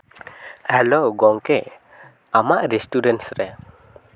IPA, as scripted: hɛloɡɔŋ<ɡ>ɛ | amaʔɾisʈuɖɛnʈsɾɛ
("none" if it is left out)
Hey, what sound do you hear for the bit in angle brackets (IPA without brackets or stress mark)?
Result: k